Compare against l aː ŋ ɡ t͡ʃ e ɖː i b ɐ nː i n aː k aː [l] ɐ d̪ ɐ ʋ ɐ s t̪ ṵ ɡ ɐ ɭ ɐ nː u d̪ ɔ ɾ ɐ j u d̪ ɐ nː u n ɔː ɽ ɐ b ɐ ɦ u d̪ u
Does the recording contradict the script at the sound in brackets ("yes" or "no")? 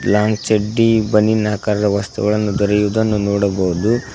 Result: yes